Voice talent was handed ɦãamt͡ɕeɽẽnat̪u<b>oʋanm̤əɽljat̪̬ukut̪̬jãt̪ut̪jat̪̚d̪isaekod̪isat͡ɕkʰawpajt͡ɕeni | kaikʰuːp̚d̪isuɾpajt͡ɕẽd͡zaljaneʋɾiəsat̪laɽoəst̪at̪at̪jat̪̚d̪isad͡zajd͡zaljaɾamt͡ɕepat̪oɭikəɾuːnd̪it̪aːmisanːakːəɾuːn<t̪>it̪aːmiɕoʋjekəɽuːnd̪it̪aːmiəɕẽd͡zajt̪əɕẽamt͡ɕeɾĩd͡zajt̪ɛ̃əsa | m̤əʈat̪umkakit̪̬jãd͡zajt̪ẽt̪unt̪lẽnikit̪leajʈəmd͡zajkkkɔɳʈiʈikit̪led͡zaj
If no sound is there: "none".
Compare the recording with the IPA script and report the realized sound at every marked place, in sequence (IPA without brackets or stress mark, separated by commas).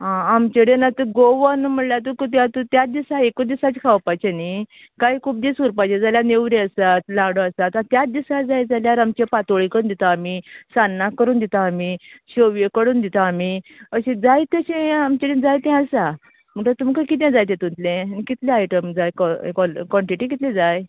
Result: ɡ, d̪